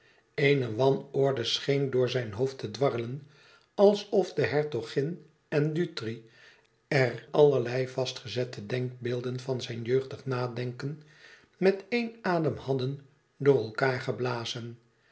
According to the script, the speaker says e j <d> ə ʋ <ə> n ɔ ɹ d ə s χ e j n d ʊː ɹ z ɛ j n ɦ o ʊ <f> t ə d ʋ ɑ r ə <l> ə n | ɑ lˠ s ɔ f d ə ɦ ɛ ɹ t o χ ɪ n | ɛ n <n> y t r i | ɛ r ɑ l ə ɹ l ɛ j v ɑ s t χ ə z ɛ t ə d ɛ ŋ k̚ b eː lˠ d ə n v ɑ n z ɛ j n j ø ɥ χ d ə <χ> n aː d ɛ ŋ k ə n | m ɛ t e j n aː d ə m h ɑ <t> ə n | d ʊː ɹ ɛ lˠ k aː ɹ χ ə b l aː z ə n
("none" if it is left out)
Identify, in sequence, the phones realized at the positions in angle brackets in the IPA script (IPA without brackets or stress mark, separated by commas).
n, ɑ, f, l, d, χ, d